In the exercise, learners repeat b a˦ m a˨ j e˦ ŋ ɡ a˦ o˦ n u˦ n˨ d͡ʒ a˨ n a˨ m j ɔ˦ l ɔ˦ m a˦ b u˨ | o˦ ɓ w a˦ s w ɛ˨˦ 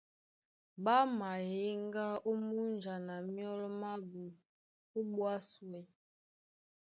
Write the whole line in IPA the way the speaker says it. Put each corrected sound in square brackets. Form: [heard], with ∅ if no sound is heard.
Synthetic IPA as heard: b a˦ m a˨ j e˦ ŋ ɡ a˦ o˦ [m] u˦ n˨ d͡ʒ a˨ n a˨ m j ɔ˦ l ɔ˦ m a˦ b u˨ | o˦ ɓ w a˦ s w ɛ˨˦